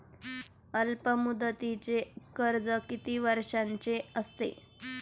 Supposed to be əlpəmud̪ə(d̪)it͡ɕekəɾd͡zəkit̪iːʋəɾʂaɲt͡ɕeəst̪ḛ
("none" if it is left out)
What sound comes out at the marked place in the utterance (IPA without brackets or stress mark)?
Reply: t̪